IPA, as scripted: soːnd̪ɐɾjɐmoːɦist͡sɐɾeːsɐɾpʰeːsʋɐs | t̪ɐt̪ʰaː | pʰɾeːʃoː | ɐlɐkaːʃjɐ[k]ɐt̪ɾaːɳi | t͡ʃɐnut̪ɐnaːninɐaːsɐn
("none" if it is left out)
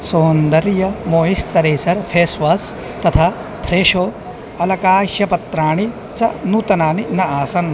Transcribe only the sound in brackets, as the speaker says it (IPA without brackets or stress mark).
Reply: p